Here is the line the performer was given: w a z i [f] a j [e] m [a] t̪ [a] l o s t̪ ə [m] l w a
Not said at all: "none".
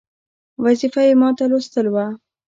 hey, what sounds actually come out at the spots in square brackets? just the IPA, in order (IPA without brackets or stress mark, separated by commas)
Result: f, e, ɑ, a, none